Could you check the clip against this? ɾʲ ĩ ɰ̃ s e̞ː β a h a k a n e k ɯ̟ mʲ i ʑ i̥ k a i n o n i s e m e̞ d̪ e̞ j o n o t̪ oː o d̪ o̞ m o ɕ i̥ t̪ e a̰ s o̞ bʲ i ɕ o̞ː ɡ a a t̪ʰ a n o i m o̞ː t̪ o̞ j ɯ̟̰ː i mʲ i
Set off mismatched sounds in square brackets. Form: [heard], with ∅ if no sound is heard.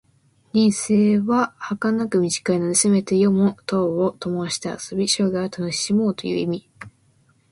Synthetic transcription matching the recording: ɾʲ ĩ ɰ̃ s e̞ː β a h a k a n [a] k ɯ̟ mʲ i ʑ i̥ k a i n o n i s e m e̞ [t̪] e̞ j o [m] o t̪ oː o [t̪] o̞ m o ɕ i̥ t̪ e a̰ s o̞ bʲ i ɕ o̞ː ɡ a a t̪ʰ a n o i m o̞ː t̪ o̞ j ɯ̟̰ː i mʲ i